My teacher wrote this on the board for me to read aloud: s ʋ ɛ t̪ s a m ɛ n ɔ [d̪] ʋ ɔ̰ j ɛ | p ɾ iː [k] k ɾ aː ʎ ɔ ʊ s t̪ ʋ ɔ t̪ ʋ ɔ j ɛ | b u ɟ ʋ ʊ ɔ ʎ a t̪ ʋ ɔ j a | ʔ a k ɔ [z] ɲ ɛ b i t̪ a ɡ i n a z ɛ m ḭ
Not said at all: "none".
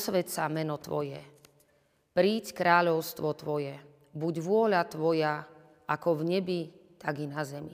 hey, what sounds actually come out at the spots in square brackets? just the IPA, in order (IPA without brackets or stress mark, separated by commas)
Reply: t̪, c, v